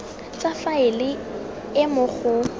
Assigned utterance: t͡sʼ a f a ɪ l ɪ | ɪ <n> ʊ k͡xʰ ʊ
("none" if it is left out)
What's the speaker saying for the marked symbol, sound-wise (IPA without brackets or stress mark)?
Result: m